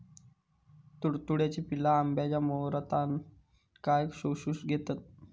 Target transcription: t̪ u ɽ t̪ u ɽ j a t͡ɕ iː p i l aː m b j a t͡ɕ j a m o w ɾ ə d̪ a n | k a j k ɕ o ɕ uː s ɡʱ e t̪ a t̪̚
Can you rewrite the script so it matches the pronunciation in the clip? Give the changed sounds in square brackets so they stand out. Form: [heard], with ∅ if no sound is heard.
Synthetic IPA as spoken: t̪ u ɽ t̪ u ɽ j a t͡ɕ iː p i l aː m b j a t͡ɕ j a m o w ɾ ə [t̪] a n | k a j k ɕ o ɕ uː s ɡʱ e t̪ a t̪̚